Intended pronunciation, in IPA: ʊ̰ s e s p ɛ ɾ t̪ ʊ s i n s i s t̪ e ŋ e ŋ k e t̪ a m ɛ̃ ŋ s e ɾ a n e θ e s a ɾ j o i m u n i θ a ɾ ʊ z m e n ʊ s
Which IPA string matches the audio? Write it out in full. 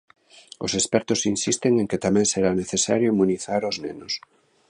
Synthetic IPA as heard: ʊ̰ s e s p ɛ ɾ t̪ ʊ s i n s i s t̪ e ŋ e ŋ k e t̪ a m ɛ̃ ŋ s e ɾ a n e θ e s a ɾ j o i m u n i θ a ɾ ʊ z n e n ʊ s